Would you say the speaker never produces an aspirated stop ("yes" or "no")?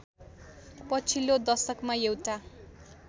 no